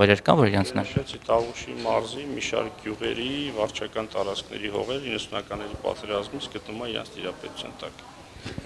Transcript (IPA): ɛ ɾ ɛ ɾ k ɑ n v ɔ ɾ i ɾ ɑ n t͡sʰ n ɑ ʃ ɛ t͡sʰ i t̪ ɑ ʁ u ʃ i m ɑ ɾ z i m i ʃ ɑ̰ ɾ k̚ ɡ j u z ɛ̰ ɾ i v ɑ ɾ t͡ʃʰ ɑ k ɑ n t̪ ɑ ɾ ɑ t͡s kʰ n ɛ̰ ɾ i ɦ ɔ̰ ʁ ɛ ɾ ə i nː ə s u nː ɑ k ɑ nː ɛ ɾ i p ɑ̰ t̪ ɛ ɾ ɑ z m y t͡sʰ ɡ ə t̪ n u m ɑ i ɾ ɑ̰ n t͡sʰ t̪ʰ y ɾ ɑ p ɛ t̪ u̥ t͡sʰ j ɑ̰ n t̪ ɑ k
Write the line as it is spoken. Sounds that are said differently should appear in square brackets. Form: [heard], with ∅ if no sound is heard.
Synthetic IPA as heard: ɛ ɾ ɛ ɾ k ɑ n v ɔ ɾ i ɾ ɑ n t͡sʰ n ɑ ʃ ɛ t͡sʰ i t̪ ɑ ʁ u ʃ i m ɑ ɾ z i m i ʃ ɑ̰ ɾ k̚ ɡ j u [ʁ] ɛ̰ ɾ i v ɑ ɾ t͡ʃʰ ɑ k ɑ n t̪ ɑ ɾ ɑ t͡s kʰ n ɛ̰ ɾ i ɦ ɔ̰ ʁ ɛ ɾ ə i nː ə s u [n] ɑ k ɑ nː ɛ ɾ i p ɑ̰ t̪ ɛ ɾ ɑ z m [i] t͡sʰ ɡ ə t̪ n u m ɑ i ɾ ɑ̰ n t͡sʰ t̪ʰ [i] ɾ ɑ p ɛ t̪ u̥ t͡sʰ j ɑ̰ n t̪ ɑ k